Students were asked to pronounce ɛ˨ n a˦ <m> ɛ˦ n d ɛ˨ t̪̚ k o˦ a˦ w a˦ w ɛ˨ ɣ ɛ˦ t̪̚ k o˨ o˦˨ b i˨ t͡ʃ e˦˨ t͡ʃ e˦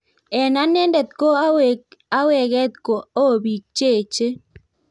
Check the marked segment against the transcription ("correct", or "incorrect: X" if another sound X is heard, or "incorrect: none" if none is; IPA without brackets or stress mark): incorrect: n